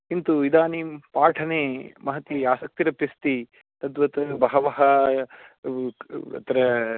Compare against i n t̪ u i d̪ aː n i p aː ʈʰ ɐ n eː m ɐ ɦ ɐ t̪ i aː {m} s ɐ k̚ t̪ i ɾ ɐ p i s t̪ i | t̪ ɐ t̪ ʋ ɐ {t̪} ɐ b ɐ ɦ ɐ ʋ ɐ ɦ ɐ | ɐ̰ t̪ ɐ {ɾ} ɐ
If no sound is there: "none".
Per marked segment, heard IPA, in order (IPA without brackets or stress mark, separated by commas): none, t̪, ɾ